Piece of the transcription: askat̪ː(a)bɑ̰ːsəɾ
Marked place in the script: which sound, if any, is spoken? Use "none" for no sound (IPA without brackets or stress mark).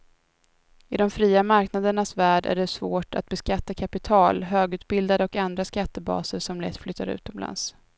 ə